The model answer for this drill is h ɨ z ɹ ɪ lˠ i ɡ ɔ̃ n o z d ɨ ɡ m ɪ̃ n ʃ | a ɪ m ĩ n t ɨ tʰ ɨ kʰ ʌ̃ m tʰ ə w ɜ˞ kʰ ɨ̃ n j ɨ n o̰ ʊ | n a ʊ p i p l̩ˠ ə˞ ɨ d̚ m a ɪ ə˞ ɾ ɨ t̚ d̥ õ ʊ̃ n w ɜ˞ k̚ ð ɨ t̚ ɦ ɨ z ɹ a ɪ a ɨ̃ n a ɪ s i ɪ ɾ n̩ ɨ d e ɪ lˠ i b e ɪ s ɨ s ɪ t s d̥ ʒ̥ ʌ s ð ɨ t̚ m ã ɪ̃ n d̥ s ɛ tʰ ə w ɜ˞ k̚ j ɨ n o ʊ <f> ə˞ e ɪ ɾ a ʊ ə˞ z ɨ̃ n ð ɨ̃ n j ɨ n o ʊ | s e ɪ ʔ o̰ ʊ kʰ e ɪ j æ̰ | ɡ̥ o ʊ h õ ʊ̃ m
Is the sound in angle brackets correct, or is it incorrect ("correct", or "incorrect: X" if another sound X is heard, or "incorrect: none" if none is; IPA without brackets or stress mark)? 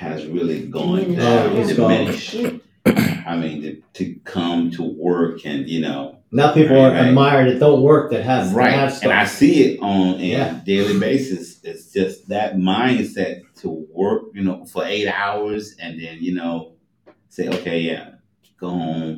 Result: correct